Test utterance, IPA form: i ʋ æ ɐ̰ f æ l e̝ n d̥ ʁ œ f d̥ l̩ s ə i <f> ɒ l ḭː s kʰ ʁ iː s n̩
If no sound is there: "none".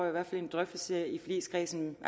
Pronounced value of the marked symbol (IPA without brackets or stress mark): f